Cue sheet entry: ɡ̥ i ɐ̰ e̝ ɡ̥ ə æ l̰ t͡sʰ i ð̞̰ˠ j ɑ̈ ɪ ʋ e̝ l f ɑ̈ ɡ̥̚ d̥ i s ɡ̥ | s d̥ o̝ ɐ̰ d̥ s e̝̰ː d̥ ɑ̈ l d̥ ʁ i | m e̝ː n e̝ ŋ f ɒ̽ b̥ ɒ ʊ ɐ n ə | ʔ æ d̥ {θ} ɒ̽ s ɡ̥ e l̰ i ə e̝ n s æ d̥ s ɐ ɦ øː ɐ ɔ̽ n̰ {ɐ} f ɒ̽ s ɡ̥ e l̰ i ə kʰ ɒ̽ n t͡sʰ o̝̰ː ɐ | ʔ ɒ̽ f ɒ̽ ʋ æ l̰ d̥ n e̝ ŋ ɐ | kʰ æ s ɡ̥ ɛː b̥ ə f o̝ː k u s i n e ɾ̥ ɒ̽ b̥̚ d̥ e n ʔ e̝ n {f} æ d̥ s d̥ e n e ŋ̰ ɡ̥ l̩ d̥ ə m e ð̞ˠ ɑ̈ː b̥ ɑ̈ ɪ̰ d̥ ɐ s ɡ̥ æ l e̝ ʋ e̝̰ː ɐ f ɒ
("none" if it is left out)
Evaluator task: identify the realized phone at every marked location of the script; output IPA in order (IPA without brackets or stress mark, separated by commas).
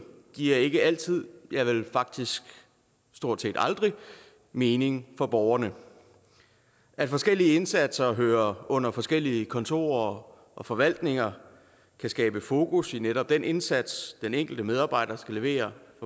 f, ɐ, s